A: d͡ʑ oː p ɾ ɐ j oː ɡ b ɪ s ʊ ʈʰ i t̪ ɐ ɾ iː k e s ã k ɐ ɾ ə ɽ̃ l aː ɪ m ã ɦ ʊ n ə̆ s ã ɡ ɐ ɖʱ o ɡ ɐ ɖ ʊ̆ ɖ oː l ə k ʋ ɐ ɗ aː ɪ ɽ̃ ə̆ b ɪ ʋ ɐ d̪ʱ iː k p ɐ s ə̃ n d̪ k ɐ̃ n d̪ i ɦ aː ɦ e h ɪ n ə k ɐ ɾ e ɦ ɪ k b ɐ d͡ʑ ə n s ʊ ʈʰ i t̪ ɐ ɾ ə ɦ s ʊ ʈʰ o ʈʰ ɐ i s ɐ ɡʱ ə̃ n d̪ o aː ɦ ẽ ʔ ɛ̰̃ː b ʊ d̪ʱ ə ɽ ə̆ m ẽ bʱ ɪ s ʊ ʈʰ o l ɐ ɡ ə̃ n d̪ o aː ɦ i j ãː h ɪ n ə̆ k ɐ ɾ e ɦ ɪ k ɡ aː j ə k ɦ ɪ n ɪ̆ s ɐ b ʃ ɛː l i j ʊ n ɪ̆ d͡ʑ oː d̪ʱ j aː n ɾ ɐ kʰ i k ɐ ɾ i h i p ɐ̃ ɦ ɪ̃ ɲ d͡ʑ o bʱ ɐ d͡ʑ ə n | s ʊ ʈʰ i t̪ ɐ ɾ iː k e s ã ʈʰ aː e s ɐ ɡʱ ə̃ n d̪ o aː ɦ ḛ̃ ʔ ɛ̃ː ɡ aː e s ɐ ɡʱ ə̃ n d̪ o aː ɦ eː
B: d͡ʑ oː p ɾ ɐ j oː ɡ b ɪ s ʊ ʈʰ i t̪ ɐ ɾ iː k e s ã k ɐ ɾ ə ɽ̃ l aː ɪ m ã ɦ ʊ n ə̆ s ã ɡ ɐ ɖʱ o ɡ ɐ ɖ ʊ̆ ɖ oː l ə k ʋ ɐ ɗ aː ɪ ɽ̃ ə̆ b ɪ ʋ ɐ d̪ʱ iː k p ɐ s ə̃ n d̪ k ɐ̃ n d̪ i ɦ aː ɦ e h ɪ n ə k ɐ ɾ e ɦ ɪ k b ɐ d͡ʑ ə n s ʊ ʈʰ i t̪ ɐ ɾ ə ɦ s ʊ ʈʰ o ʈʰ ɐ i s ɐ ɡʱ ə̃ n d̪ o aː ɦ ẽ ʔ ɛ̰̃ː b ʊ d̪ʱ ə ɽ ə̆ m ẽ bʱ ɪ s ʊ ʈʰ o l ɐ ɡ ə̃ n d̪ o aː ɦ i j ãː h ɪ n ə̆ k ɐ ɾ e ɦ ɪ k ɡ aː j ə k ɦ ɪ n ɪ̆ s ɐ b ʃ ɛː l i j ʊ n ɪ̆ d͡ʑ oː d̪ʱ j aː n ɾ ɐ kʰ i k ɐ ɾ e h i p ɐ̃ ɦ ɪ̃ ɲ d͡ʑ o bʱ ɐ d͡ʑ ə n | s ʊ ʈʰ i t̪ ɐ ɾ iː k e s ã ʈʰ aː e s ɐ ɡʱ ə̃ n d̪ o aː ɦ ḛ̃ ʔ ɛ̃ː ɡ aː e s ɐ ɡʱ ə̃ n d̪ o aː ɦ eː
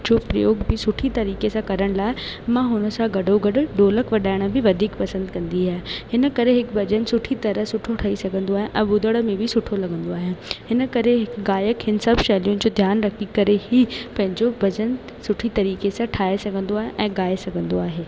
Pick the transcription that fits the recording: B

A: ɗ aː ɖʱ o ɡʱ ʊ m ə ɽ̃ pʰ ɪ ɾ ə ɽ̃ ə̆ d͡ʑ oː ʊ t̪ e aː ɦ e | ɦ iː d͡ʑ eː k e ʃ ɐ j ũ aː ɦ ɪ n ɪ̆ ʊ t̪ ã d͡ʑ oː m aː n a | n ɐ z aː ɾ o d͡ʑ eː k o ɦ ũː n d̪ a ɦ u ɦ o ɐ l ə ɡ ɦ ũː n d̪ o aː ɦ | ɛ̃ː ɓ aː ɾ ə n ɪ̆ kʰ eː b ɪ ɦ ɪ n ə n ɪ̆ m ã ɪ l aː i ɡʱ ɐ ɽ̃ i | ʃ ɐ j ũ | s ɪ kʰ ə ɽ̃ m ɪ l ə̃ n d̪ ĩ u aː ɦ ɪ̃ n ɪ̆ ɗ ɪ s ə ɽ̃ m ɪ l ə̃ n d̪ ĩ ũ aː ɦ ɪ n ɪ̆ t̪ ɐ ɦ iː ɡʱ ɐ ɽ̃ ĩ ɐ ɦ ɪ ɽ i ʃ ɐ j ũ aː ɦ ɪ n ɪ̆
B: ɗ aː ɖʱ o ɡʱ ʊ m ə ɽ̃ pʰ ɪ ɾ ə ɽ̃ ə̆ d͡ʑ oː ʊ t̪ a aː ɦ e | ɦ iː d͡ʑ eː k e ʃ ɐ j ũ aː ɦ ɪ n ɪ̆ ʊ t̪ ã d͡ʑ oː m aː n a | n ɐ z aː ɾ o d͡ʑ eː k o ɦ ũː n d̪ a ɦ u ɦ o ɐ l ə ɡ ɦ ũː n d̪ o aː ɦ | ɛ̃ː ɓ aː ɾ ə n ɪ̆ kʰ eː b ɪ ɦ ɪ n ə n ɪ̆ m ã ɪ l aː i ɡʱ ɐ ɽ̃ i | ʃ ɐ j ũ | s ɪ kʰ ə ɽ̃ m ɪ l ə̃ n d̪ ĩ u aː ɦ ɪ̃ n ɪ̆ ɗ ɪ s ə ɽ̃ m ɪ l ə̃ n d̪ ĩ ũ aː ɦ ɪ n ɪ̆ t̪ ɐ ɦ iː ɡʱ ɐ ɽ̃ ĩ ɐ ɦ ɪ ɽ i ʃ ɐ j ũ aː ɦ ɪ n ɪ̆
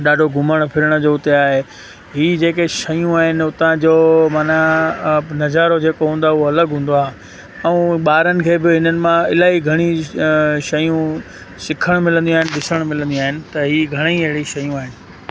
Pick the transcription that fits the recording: A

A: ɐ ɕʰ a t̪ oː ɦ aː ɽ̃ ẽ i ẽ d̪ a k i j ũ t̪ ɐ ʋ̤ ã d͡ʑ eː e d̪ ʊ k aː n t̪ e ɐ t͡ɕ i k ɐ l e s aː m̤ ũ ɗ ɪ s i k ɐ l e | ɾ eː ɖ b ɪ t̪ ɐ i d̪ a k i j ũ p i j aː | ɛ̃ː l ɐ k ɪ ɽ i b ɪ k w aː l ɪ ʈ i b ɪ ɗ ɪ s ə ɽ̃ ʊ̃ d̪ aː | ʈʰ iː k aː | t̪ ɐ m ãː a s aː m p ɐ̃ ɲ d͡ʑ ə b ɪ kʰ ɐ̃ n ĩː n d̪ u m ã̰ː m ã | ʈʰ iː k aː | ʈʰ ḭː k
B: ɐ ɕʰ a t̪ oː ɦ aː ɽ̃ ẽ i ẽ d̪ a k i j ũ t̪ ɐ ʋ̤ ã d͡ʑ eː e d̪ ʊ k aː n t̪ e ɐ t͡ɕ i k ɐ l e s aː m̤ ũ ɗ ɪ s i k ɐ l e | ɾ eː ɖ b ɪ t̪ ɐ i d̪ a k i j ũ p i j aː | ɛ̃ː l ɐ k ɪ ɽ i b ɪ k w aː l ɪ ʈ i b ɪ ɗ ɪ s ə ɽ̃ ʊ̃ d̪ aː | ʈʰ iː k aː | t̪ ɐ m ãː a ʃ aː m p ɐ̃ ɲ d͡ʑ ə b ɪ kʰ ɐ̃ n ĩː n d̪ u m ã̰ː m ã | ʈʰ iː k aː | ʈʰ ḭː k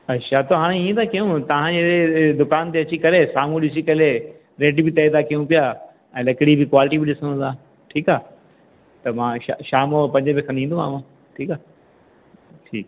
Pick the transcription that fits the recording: B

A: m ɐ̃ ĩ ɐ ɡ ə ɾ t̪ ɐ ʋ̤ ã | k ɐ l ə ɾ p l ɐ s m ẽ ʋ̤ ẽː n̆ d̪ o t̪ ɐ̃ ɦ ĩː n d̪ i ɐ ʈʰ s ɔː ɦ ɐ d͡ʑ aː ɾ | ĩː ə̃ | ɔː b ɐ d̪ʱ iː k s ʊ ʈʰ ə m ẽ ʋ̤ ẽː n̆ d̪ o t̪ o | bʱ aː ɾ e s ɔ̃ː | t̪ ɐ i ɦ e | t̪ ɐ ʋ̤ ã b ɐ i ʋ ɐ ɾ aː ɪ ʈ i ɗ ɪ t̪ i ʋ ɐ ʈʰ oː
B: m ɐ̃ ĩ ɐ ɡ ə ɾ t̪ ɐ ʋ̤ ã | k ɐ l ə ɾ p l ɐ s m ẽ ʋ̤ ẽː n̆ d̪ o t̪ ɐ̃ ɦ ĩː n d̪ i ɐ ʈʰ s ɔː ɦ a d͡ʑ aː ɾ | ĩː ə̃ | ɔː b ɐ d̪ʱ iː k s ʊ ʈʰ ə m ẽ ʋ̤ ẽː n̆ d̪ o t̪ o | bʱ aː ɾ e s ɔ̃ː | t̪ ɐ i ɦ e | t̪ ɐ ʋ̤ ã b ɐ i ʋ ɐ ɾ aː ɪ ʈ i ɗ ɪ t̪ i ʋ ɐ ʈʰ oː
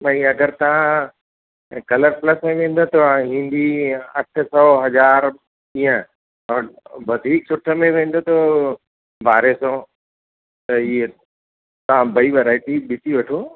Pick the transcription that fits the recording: A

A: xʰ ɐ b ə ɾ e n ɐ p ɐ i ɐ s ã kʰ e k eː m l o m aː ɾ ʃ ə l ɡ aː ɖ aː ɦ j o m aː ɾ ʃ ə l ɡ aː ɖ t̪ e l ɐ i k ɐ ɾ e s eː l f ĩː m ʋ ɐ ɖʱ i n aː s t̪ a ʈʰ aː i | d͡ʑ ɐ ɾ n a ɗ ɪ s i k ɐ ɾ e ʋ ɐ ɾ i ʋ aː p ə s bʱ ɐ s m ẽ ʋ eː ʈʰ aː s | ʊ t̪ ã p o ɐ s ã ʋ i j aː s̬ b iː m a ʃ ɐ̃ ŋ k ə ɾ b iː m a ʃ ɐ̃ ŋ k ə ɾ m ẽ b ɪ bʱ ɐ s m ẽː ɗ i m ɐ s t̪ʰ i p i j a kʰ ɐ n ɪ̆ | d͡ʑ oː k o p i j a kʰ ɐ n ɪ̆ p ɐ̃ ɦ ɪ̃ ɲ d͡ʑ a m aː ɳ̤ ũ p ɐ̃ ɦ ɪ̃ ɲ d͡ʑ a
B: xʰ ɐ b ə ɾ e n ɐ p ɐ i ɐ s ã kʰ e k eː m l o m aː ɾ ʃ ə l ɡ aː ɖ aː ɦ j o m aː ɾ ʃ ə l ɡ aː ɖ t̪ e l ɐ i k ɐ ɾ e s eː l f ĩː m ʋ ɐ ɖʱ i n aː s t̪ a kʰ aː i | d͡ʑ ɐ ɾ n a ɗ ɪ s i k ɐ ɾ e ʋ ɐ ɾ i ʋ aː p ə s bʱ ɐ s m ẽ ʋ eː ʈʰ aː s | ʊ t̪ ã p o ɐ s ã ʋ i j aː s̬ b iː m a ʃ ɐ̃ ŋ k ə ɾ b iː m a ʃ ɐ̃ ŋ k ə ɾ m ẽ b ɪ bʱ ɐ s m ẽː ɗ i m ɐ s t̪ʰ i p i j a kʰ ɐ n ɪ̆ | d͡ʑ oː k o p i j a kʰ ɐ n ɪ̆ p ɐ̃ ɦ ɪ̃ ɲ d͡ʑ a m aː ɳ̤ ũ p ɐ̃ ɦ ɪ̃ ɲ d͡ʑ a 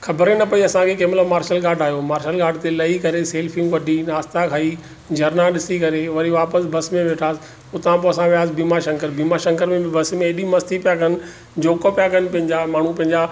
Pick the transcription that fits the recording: B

